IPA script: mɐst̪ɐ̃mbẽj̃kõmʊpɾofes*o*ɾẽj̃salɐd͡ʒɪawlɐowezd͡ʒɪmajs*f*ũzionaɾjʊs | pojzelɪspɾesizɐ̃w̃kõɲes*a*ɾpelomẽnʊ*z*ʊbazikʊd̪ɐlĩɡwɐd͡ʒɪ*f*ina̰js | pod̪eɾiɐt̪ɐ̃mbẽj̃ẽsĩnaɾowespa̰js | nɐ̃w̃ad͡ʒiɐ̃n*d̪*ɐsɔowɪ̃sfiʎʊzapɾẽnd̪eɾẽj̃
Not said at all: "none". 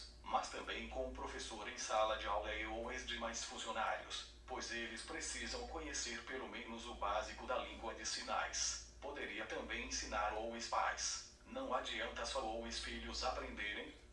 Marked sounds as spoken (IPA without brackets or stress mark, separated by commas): o, f, e, z, s, t̪